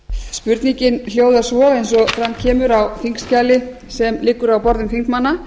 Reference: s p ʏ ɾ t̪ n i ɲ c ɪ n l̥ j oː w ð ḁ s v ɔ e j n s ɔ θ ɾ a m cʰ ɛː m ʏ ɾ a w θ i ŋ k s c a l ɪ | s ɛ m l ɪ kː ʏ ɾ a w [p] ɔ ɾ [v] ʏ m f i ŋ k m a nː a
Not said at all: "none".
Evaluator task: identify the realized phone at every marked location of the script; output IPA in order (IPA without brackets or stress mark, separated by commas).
p, ð